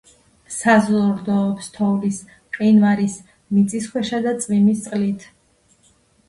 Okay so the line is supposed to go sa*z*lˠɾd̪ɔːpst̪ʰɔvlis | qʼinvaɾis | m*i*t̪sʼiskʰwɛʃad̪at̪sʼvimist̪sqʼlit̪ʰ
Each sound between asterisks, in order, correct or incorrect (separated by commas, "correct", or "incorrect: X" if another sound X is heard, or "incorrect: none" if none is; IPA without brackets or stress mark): correct, correct